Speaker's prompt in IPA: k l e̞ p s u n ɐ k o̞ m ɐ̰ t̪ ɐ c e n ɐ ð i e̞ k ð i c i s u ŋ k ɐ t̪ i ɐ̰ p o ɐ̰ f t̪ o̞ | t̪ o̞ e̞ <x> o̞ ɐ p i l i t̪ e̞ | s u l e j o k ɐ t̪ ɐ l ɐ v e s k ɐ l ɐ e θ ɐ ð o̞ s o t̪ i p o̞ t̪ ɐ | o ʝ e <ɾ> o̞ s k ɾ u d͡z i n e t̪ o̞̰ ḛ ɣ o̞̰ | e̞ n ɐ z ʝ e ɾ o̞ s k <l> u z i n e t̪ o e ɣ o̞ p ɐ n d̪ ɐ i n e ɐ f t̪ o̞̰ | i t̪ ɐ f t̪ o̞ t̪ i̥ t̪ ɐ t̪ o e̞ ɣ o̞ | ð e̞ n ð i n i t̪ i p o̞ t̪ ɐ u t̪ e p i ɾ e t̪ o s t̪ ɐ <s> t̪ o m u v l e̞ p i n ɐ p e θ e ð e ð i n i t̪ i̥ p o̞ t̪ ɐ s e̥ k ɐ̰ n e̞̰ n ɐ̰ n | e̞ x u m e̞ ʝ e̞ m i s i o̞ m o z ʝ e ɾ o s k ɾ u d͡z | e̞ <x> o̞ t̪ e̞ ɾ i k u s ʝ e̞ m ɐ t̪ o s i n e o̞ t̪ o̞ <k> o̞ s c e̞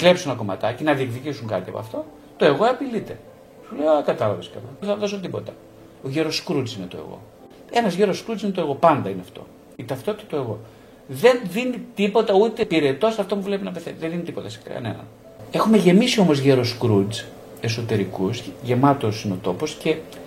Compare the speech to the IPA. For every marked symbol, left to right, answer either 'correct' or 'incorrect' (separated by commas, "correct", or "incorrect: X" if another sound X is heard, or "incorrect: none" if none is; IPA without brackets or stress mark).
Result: incorrect: ɣ, correct, incorrect: ɾ, incorrect: f, incorrect: s, incorrect: p